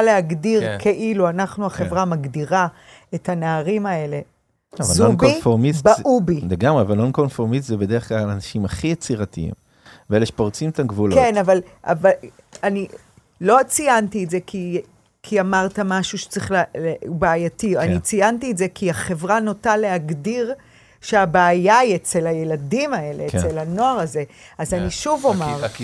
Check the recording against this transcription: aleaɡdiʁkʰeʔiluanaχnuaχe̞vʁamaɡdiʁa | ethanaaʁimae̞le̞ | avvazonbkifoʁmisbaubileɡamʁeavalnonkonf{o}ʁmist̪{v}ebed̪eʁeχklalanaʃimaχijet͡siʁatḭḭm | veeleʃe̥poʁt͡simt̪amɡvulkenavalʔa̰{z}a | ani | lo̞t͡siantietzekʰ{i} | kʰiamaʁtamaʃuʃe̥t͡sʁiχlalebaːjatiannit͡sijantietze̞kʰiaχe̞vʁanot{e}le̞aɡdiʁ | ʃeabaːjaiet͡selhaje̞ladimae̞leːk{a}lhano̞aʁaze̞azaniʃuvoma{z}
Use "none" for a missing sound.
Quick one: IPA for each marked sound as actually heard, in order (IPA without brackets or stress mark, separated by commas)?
o, z, v, i, a, e, ʁ